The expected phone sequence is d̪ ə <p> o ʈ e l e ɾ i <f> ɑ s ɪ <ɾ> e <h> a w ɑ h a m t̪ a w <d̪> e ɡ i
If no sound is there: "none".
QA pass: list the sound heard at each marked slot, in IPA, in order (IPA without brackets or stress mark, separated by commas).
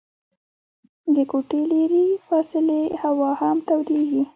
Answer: k, f, l, h, d̪